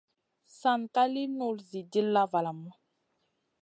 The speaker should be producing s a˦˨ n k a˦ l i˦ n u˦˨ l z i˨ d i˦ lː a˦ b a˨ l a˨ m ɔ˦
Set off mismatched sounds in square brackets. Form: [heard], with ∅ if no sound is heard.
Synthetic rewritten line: s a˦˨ n k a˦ l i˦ n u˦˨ l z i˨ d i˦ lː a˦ [v] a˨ l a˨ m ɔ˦

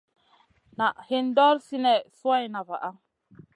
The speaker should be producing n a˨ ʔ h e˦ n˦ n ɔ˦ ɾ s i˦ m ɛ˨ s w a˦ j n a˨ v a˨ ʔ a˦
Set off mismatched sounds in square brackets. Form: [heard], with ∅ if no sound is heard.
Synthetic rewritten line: n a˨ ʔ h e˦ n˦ [d] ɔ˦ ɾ s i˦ [n] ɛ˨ s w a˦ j n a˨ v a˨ ʔ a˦

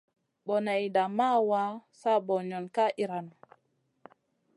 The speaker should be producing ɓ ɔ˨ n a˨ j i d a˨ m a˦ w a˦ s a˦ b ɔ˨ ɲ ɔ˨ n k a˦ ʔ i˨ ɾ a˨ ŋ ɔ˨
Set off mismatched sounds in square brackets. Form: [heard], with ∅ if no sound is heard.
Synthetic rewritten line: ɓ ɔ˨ n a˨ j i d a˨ m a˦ w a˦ s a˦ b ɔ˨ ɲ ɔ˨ n k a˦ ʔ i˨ ɾ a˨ [n] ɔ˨

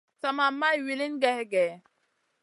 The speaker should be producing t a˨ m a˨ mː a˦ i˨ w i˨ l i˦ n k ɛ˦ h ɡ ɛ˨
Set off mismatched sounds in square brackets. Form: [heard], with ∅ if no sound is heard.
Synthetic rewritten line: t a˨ m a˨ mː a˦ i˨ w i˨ l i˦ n [ɡ] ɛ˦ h ɡ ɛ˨

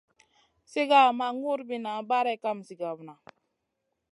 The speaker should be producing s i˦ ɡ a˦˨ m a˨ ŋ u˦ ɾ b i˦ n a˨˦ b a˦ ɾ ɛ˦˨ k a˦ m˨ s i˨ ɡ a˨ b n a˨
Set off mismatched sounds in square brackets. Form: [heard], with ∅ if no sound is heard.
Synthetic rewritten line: s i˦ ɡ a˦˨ m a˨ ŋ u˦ ɾ b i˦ n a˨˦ b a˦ ɾ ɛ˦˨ k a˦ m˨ s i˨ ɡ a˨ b n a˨

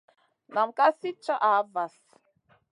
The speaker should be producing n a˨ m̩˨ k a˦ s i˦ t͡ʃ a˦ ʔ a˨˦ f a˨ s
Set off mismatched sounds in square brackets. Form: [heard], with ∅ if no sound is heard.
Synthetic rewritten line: n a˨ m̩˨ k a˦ s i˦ t͡ʃ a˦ ʔ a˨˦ [v] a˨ s

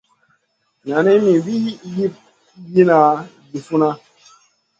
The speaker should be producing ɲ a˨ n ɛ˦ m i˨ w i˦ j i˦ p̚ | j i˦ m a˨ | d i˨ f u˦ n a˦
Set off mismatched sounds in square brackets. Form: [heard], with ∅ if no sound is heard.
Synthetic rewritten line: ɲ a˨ n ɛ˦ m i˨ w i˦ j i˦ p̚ | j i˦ [n] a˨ | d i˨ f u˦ n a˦

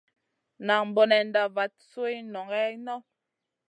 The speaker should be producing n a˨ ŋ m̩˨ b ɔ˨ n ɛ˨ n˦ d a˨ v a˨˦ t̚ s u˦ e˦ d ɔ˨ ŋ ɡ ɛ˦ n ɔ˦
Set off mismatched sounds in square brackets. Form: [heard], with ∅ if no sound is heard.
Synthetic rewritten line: n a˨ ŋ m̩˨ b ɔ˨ n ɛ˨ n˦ d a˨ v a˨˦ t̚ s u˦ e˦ [n] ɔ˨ ŋ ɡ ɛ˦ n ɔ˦

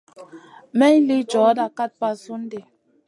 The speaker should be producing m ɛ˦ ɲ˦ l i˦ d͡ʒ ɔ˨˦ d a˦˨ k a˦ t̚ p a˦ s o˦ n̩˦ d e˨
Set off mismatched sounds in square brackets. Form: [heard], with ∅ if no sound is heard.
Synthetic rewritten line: m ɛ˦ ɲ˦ l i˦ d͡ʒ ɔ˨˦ d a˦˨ k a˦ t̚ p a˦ s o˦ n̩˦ d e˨

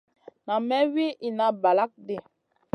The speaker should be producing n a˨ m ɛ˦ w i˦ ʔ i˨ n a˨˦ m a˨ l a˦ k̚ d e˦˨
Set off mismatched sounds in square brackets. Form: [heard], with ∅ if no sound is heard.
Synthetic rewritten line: n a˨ m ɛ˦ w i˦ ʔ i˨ n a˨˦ [b] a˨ l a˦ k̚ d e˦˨

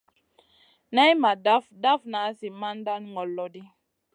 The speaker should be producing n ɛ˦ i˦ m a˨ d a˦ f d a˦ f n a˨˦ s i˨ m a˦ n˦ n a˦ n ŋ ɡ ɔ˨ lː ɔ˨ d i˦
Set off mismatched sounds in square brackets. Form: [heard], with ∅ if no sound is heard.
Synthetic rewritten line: n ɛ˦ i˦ m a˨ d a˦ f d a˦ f n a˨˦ s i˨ m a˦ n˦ [d] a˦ n ŋ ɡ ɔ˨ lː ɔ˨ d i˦

